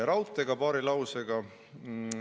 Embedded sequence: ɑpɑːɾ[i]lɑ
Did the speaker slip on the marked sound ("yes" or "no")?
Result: no